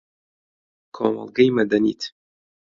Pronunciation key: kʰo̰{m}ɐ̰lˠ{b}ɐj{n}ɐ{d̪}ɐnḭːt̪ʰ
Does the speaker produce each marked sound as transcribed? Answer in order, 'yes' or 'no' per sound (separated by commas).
yes, no, no, yes